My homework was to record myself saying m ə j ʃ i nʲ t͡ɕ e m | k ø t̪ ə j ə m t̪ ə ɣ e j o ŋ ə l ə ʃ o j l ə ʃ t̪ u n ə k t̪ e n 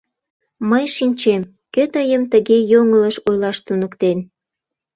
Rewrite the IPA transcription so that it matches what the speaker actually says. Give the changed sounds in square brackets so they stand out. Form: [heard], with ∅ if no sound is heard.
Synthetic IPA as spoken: m ə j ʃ i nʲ t͡ɕ e m | k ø t̪ ə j ə m t̪ ə ɣ e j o ŋ ə l ə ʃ o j l [ɑ] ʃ t̪ u n ə k t̪ e n